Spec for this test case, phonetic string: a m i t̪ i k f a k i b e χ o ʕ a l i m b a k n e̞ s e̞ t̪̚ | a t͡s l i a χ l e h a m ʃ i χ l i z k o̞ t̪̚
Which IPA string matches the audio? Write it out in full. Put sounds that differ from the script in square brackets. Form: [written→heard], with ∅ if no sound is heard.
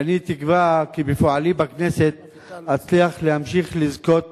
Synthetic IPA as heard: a [m→n] i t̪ i k [f→v] a k i b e [χ→f] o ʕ a l i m b a k n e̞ s e̞ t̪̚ | a t͡s l i a χ l e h a m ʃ i χ l i z k o̞ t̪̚